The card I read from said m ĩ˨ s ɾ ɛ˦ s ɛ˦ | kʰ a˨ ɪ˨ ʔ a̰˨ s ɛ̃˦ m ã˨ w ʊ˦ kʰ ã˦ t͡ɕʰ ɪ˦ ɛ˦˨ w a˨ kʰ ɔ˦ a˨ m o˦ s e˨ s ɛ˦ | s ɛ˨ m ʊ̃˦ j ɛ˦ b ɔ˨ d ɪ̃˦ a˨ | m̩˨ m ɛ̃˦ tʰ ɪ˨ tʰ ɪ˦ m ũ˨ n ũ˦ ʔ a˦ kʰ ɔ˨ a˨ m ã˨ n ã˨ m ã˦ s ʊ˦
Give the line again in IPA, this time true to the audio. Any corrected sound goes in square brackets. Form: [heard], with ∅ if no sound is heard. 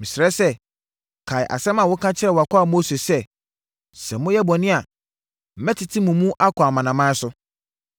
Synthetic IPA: m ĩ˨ s ɾ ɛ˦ s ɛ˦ | kʰ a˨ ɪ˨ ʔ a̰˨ s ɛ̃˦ m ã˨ w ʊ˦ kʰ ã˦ t͡ɕʰ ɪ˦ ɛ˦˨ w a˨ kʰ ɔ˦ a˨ m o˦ s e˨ s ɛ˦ | s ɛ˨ m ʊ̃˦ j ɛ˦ b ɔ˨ [n] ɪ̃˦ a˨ | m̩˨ m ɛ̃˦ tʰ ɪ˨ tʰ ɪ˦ m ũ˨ [m] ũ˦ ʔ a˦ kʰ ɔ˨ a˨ m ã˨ n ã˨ m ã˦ s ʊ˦